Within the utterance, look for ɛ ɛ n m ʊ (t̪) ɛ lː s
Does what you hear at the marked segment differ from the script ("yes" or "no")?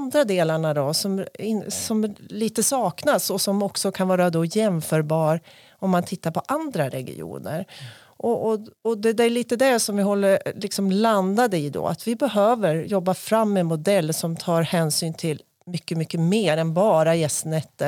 yes